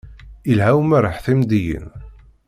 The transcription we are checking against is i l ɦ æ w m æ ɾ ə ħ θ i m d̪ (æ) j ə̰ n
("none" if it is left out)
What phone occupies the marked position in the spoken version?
i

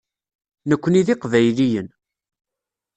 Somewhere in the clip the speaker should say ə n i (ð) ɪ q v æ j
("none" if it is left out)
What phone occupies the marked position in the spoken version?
ð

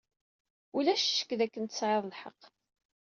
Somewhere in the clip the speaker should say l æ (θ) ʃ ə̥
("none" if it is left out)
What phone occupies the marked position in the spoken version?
ʃ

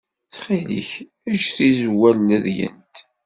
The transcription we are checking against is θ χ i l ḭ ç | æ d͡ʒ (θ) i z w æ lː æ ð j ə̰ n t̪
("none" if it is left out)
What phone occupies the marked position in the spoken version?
θ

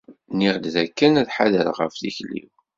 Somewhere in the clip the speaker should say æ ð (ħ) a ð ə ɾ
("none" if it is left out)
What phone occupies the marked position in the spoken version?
ħ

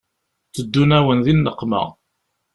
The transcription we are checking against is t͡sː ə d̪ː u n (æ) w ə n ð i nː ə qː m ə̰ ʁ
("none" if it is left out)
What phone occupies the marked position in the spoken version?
æ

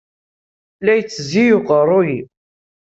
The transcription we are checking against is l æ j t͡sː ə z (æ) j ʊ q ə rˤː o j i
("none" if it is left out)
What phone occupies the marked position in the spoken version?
i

